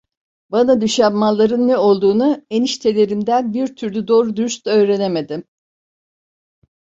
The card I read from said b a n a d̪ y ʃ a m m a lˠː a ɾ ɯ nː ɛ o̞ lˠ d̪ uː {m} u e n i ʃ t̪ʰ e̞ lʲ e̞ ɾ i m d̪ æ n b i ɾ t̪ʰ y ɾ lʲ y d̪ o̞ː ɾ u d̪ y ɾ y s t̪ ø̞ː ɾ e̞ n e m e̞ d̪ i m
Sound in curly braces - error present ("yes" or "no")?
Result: yes